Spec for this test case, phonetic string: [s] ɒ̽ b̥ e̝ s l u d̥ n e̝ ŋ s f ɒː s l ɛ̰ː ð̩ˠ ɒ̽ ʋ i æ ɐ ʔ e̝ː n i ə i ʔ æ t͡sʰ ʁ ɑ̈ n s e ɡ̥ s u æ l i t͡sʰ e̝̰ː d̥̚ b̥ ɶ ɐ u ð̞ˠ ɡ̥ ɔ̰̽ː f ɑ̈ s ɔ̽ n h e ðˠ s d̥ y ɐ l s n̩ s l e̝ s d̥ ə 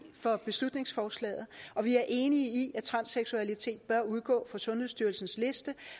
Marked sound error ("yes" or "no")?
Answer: yes